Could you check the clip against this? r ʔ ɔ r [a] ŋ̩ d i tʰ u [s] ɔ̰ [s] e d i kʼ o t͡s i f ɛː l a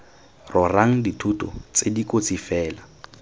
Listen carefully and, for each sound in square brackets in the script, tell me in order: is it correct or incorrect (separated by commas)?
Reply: correct, incorrect, incorrect